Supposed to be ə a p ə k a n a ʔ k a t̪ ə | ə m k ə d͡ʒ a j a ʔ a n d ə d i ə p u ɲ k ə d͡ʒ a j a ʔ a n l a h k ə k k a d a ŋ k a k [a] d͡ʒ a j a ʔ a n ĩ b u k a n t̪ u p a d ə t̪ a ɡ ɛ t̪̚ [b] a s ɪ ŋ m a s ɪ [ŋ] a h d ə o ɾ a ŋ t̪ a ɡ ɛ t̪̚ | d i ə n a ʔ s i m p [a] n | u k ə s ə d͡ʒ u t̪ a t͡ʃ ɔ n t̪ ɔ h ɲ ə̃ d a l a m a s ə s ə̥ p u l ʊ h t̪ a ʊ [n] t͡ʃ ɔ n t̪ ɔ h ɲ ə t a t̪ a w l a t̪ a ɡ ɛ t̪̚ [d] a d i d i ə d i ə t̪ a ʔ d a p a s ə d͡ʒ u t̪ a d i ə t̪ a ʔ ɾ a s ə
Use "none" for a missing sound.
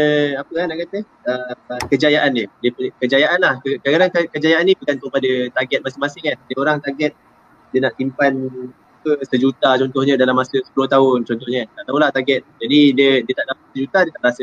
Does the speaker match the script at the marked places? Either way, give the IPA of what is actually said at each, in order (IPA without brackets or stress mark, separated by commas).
ə, m, ŋ, a, n, d͡ʒ